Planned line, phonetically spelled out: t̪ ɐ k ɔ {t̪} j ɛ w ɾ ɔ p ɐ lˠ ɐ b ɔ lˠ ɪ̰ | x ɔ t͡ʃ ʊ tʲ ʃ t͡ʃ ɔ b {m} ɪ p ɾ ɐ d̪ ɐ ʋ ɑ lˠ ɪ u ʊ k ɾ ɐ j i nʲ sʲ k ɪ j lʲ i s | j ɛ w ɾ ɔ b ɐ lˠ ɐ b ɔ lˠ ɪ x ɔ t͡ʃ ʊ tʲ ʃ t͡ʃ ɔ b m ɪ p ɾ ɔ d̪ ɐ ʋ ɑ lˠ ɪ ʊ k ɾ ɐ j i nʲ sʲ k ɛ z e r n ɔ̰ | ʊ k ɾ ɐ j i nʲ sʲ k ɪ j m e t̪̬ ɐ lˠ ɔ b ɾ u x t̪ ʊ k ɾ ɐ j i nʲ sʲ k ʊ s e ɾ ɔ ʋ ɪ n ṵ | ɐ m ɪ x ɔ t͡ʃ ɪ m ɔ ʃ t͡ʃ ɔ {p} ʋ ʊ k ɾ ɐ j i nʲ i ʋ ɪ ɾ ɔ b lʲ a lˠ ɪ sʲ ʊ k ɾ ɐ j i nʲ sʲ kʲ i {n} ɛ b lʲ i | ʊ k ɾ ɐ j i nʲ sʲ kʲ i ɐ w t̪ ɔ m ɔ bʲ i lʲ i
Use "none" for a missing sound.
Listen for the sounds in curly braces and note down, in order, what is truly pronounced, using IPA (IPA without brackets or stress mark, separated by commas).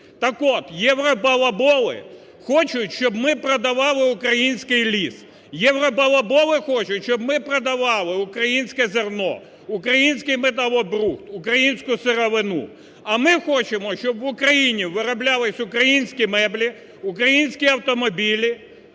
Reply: t̪, m, b, m